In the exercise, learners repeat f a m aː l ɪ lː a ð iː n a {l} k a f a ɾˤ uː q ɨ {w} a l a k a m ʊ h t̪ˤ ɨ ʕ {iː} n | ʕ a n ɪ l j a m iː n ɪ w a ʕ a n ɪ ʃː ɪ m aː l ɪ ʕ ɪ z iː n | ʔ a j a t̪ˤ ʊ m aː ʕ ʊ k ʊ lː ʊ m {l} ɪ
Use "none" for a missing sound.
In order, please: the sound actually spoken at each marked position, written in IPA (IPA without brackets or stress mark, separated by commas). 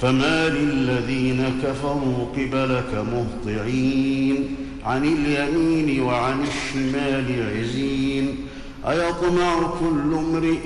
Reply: none, b, iː, ɾ